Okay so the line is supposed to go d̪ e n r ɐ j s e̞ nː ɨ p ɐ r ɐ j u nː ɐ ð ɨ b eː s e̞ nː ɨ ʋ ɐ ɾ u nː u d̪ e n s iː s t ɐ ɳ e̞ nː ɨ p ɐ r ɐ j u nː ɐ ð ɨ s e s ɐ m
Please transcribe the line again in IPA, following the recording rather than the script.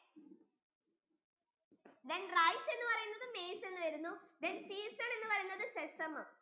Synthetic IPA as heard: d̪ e n r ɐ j s e̞ nː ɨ p ɐ r ɐ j u nː ɐ ð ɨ m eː s e̞ nː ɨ ʋ ɐ ɾ u nː u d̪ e n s iː s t ɐ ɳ e̞ nː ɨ p ɐ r ɐ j u nː ɐ ð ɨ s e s ɐ m

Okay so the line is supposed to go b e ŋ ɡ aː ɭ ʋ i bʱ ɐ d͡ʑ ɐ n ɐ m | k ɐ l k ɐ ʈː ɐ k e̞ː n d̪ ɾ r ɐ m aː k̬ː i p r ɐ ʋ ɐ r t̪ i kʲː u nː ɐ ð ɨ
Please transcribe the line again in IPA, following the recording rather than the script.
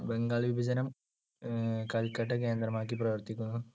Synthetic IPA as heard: b e ŋ ɡ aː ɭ ʋ i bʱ ɐ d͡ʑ ɐ n ɐ m | k ɐ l k ɐ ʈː ɐ k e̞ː n d̪ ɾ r ɐ m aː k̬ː i p r ɐ ʋ ɐ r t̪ i kʲː u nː ɐ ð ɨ

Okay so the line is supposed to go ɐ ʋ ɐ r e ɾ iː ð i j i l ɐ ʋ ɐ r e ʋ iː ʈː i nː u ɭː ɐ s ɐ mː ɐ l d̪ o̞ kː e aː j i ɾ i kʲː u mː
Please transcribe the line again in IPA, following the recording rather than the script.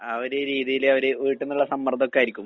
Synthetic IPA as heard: ɐ ʋ ɐ ɾ e ɾ iː ð i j i l ɐ ʋ ɐ ɾ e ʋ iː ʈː e nː u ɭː ɐ s ɐ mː ɐ r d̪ o̞ kː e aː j i ɾ i kʲː u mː

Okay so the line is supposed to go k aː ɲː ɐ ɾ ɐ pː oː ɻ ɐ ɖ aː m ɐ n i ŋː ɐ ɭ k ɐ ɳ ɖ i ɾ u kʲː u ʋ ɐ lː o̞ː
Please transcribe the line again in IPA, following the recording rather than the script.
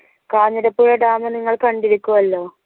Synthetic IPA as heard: k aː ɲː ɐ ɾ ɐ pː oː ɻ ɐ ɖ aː m ɐ n i ŋː ɐ ɭ k ɐ ɳ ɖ i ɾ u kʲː u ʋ ɐ lː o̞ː

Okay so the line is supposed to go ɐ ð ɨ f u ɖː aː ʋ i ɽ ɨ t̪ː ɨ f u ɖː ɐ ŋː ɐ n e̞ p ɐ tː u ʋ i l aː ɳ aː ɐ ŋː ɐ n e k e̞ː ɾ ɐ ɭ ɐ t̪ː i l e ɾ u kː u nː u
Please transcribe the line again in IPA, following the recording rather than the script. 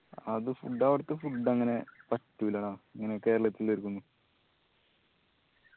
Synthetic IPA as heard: ɐ ð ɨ f u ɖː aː ʋ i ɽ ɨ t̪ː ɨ f u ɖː ɐ ŋː ɐ n e̞ p ɐ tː u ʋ i l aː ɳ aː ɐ ŋː ɐ n e k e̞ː ɾ ɐ ɭ ɐ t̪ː i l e ɾ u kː u nː u

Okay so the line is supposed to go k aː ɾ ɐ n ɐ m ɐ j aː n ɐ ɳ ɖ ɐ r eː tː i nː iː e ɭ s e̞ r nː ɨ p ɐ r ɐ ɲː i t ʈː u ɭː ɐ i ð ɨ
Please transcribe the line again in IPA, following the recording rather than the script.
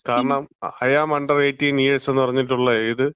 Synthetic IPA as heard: k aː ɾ ɐ ɳ ɐ m ɐ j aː m ɐ ɳ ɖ ɐ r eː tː i n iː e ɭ s e̞ nː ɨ p ɐ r ɐ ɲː i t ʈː u ɭː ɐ i ð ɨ

